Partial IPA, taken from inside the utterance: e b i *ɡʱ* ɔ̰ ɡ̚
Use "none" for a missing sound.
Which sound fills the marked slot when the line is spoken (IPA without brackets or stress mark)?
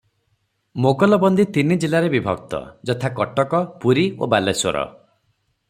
bʱ